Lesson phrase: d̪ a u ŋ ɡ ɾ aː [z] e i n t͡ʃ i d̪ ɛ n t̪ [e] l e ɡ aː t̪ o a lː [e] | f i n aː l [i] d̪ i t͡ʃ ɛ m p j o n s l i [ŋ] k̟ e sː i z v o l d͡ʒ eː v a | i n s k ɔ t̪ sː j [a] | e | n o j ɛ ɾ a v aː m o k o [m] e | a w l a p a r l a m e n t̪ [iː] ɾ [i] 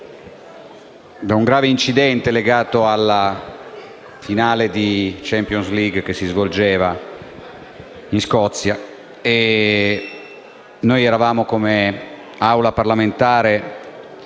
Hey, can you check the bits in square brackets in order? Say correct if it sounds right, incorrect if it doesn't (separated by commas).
incorrect, correct, incorrect, incorrect, incorrect, correct, correct, incorrect, incorrect